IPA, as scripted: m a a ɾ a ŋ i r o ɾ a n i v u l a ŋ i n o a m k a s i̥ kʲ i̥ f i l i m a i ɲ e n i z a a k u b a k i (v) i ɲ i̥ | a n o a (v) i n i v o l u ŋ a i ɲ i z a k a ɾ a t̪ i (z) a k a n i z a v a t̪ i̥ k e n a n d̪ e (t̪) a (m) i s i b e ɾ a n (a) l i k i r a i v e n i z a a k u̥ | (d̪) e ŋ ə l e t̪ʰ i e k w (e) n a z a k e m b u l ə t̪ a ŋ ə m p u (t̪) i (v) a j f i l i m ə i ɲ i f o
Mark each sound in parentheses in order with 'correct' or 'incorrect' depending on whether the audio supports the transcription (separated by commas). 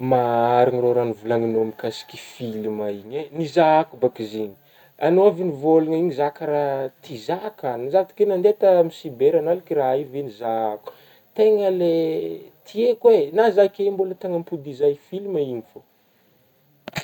incorrect, correct, correct, correct, correct, correct, incorrect, correct, incorrect, incorrect